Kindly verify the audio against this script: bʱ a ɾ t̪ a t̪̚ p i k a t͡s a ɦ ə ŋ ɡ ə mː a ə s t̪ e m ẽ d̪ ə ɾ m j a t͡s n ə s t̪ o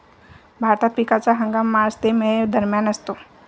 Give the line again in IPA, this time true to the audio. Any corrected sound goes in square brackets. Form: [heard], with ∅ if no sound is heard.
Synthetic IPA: bʱ a ɾ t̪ a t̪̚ p i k a t͡s a ɦ ə ŋ ɡ [a] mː a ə s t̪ e m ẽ d̪ ə ɾ m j a [∅] n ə s t̪ o